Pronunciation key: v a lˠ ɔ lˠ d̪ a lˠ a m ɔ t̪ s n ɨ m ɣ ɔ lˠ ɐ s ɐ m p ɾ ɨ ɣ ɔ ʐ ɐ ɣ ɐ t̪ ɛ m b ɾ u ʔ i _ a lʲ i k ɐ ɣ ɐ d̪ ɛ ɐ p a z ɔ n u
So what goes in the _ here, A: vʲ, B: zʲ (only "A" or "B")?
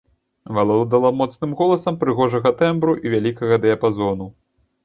A